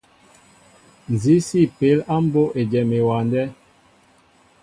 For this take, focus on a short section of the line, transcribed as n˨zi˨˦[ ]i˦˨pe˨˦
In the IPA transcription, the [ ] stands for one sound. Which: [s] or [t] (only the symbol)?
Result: s